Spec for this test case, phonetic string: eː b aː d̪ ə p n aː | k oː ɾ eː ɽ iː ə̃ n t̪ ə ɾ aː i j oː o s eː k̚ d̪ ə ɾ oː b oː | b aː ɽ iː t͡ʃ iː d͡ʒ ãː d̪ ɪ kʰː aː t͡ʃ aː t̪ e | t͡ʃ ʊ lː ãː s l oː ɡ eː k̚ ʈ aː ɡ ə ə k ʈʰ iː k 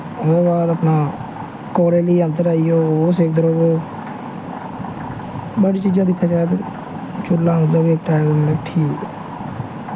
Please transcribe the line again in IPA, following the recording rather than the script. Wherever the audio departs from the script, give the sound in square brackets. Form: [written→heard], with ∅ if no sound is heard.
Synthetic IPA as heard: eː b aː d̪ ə p n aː | k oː ɾ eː [ɽ→l] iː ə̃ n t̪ ə ɾ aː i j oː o s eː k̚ d̪ ə ɾ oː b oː | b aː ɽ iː t͡ʃ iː d͡ʒ ãː d̪ ɪ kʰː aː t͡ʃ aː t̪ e | t͡ʃ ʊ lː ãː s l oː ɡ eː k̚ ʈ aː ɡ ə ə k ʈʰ iː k